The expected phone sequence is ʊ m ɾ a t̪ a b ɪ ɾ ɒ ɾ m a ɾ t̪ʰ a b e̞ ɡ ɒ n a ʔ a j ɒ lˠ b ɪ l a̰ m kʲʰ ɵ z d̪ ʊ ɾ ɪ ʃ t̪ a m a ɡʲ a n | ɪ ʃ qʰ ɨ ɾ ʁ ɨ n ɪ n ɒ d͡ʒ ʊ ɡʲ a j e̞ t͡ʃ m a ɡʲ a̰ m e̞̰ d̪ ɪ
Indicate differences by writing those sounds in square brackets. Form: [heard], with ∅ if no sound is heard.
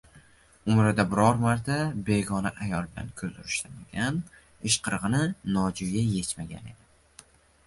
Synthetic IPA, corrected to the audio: ʊ m ɾ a [d̪] a b ɪ ɾ ɒ ɾ m a ɾ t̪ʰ a b e̞ ɡ ɒ n a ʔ a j ɒ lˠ b ɪ l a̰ [n] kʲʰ ɵ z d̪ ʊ ɾ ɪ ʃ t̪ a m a ɡʲ a n | ɪ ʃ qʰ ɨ ɾ ʁ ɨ n ɪ n ɒ d͡ʒ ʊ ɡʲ a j e̞ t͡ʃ m a ɡʲ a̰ [n] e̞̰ d̪ ɪ